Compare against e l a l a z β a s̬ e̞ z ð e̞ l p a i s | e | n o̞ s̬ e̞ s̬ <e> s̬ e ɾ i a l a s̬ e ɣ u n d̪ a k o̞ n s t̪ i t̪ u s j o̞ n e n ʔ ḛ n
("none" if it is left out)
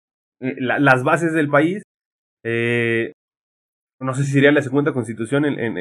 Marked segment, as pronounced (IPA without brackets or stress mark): i